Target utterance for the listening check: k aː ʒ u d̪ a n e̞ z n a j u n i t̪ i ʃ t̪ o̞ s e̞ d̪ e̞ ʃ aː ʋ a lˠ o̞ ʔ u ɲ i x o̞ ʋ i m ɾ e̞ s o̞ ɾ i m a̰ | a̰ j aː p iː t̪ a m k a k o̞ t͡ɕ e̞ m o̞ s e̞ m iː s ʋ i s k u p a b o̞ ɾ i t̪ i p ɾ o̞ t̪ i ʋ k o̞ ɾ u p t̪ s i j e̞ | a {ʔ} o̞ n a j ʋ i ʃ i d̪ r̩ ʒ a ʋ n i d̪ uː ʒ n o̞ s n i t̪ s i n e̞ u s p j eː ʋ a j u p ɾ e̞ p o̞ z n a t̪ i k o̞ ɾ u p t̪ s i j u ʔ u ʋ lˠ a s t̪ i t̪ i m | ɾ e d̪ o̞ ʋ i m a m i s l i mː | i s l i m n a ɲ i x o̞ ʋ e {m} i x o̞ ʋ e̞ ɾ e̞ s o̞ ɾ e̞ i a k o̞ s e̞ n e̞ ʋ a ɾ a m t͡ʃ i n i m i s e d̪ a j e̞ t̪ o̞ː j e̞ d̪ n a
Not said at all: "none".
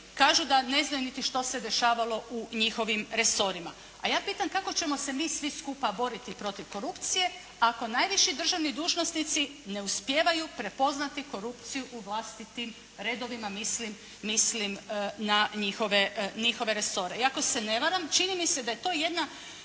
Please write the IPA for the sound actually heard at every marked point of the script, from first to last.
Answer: k, ɲ

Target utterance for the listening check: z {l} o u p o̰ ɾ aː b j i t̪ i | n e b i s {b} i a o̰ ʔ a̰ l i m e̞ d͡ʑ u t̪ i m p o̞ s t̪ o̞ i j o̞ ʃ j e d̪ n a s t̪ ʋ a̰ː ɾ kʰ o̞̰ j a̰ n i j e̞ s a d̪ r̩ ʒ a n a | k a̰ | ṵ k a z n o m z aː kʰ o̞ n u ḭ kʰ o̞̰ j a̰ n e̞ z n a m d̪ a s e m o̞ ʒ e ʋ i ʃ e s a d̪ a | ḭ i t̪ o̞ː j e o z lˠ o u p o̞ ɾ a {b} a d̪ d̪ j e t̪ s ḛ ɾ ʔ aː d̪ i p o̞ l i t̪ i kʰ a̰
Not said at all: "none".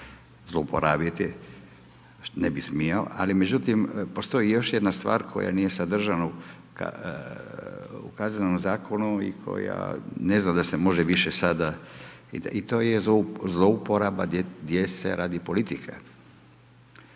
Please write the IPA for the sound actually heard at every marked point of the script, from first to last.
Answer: l, m, b

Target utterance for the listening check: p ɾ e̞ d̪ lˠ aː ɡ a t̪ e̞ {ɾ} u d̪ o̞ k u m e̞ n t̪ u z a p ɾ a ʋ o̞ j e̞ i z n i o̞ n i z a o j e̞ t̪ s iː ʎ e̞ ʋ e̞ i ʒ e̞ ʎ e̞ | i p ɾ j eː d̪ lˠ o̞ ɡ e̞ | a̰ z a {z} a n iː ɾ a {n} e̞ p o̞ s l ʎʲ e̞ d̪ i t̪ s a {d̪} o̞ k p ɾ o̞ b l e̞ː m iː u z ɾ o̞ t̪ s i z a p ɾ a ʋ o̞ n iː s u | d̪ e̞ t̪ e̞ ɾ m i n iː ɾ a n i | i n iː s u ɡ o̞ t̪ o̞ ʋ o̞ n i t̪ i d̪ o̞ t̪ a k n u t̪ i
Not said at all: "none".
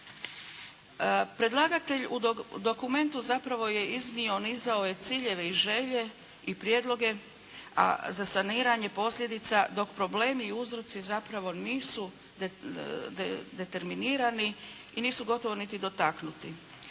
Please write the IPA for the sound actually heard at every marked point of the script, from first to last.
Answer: ʎ, s, ɲ, d̪

